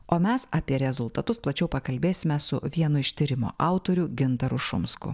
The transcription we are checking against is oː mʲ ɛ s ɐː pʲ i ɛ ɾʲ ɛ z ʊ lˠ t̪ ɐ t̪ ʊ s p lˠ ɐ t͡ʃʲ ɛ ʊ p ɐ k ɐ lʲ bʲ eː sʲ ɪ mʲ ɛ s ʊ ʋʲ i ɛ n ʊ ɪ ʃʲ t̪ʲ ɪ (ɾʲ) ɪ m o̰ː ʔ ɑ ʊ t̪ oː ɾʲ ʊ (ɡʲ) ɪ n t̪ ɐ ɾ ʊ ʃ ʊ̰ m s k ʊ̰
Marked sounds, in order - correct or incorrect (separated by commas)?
correct, correct